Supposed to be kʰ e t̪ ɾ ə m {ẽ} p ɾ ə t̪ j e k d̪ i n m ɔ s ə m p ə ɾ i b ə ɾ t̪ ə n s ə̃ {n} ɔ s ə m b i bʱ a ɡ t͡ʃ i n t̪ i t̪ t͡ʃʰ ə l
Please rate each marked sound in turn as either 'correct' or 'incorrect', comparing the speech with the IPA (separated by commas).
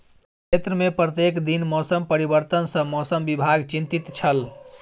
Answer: incorrect, incorrect